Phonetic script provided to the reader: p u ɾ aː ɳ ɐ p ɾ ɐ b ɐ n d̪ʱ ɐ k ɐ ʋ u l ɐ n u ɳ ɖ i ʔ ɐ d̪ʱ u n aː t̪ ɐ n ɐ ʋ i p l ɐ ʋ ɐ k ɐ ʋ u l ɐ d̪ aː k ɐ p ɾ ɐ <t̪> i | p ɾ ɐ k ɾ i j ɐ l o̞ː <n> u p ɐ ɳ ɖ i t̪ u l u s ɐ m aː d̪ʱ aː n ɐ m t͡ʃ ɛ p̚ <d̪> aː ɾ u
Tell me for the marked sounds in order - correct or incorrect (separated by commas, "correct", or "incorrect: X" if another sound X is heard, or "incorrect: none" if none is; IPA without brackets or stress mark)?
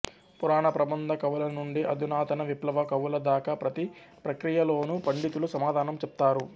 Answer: correct, correct, incorrect: t̪